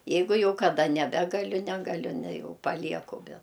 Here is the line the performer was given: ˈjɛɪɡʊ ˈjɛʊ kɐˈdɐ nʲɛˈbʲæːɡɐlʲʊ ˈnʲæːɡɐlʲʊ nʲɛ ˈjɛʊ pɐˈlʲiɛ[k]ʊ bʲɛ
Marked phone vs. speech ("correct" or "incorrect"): correct